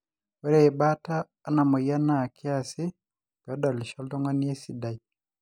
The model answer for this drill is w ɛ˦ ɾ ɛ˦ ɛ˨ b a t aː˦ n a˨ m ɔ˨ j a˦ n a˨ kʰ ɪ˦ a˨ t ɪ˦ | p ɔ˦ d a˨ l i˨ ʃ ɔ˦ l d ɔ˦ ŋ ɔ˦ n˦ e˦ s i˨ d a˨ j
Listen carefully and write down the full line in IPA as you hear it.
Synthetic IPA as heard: w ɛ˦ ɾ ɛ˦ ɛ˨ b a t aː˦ n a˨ m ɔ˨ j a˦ n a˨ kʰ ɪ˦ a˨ s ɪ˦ | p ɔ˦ d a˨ l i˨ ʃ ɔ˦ l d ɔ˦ ŋ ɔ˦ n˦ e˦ s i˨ d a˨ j